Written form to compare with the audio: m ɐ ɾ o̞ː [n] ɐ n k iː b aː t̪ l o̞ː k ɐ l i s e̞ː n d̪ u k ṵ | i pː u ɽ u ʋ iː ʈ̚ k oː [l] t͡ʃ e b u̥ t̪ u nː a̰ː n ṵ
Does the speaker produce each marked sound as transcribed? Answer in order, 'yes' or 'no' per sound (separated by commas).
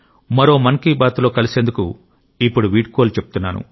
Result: no, yes